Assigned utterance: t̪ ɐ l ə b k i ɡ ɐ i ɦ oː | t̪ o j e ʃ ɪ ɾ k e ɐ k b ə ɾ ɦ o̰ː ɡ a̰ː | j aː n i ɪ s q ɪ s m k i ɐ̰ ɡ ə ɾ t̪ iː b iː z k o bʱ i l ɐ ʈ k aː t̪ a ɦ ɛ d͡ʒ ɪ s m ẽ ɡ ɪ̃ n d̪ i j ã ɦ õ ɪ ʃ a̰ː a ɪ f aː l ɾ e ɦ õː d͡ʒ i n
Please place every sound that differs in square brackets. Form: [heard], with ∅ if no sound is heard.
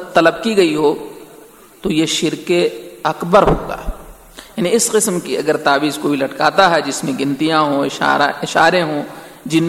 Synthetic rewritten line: t̪ ɐ l ə b k i ɡ ɐ i ɦ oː | t̪ o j e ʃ ɪ ɾ k e ɐ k b ə ɾ ɦ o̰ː ɡ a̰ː | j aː n i ɪ s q ɪ s m k i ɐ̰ ɡ ə ɾ t̪ [aː] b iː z k o bʱ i l ɐ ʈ k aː t̪ a ɦ ɛ d͡ʒ ɪ s m ẽ ɡ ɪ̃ n [t̪] i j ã ɦ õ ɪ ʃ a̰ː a ɪ [ʃ] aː [∅] ɾ e ɦ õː d͡ʒ [ɪ] n